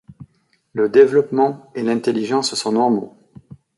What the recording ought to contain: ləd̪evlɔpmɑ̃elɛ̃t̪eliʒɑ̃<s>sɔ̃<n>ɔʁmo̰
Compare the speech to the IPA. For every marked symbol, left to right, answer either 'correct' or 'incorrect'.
correct, correct

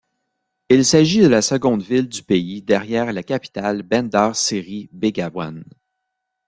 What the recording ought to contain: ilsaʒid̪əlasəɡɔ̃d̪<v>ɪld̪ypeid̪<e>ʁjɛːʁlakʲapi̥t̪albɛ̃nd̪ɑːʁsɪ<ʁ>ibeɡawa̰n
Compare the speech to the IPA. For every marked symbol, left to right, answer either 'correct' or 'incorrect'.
correct, incorrect: ɛ, correct

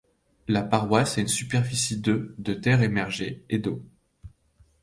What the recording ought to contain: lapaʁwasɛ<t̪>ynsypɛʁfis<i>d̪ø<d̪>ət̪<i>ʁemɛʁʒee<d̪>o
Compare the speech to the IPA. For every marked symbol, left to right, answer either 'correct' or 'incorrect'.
incorrect: none, correct, correct, incorrect: ɛ, correct

